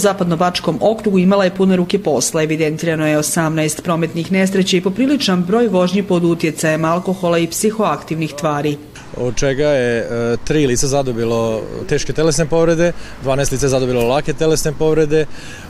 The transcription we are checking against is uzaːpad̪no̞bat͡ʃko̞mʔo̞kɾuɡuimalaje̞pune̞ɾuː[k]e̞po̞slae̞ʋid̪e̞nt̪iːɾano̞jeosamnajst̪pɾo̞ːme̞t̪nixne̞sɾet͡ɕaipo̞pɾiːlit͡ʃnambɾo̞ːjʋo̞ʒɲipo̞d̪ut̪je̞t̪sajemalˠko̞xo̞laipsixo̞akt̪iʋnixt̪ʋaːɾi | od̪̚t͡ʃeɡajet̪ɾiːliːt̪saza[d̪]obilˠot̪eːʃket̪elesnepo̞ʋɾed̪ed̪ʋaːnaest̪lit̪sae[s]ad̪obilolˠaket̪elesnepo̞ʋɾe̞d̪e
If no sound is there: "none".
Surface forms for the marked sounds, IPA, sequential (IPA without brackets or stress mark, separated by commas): k, d̪, z